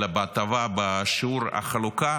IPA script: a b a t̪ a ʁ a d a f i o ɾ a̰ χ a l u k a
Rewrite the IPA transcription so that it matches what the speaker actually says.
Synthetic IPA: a b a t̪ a v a b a ʃ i u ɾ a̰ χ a l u k a